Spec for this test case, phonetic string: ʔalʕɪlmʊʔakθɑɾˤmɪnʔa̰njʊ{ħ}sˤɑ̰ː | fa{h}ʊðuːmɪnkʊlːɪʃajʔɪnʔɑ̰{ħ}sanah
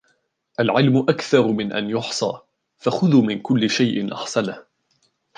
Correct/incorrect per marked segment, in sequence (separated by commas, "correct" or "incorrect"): correct, incorrect, correct